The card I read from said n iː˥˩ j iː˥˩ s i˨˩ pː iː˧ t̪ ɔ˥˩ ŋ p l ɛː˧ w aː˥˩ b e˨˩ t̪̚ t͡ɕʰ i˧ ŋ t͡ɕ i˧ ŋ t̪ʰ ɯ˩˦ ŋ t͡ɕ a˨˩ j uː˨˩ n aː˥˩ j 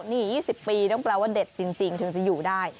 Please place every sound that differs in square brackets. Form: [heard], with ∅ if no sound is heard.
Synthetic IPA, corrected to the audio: n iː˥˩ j iː˥˩ s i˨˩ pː iː˧ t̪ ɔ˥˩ ŋ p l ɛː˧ w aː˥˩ [d] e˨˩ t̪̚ [t͡ɕ] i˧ ŋ t͡ɕ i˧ ŋ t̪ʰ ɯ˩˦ ŋ t͡ɕ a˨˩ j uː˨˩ [d] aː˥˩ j